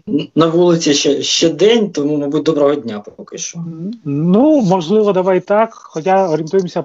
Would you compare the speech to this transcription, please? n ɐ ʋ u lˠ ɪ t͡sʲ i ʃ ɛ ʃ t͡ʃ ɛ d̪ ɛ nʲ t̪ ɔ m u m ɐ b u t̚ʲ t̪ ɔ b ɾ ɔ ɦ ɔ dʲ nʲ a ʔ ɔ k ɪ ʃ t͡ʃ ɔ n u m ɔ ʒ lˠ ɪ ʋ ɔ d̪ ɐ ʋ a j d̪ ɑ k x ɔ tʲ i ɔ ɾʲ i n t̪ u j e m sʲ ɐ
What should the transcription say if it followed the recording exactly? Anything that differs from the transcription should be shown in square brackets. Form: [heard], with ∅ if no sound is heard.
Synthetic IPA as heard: n ɐ ʋ u lˠ ɪ t͡sʲ i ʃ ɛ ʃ t͡ʃ ɛ d̪ ɛ nʲ t̪ ɔ m u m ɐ b u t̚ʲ [d̪] ɔ b ɾ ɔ ɦ ɔ dʲ nʲ a [p] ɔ k ɪ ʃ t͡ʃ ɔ n u m ɔ ʒ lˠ ɪ ʋ ɔ d̪ ɐ ʋ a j [t̪] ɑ k x ɔ tʲ [a] ɔ ɾʲ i n t̪ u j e m sʲ ɐ